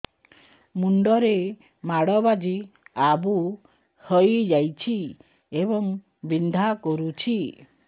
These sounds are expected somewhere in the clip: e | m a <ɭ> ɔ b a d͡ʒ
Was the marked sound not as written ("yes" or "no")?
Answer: yes